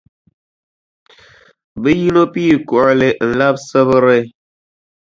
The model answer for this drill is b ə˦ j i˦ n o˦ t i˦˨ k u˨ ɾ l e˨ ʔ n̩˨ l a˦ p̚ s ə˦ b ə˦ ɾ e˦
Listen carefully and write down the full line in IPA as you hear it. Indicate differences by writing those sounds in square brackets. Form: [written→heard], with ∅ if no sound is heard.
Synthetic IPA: b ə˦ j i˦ n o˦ [t→p] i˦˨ k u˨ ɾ l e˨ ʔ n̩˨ l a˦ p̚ s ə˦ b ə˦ ɾ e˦

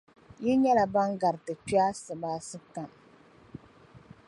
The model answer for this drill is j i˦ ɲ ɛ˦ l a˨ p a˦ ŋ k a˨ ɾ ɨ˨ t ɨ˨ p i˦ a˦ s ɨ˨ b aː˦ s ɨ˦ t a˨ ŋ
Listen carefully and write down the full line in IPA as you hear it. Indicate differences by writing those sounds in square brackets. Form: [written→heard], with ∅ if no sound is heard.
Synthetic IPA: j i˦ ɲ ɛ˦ l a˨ [p→b] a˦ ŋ [k→ɡ] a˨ ɾ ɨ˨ t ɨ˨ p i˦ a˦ s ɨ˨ b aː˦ s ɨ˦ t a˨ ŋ

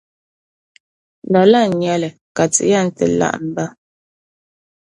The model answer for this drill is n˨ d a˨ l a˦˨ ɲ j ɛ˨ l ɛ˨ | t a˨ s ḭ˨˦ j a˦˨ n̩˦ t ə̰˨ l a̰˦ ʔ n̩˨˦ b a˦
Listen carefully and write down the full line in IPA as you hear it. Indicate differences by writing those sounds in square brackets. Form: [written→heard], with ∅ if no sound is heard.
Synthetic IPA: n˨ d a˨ l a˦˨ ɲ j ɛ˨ l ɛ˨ | [t→k] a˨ [s→t͡s] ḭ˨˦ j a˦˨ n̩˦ t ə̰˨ l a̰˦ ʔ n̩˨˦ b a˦

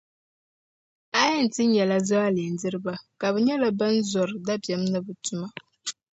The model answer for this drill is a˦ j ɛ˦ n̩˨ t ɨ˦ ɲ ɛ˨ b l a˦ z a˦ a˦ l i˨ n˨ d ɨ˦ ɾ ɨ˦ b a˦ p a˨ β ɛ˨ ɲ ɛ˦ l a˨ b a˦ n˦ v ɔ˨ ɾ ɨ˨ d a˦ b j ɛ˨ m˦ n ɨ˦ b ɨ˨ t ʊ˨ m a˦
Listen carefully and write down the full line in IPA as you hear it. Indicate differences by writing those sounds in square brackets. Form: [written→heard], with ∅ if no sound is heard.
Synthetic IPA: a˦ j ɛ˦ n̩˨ t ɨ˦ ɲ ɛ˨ [b→∅] l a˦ z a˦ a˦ l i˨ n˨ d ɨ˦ ɾ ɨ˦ b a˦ [p→k] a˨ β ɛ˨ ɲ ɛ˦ l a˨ b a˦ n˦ [v→z] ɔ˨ ɾ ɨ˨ d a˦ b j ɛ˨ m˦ n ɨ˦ b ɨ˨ t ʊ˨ m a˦

